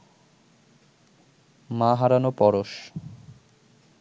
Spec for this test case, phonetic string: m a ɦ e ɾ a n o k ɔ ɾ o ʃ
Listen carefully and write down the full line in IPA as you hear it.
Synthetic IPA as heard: m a ɦ a ɾ a n o p ɔ ɾ o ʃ